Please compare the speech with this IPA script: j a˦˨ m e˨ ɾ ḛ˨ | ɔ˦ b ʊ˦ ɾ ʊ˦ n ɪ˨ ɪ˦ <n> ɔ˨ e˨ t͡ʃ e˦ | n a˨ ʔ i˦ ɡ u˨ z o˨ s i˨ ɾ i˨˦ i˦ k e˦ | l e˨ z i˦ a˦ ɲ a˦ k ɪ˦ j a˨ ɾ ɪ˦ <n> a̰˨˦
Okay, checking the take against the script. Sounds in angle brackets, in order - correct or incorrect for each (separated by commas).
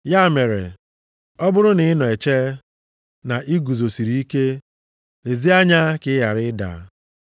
correct, incorrect